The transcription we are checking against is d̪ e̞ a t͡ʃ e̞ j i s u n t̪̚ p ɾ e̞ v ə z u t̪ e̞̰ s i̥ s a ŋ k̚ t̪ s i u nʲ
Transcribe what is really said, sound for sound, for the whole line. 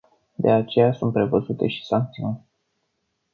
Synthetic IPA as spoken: d̪ e̞ a t͡ʃ e̞ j a s u n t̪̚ p ɾ e̞ v ə z u t̪ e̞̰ ʃ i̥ s a ŋ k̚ t̪ s i u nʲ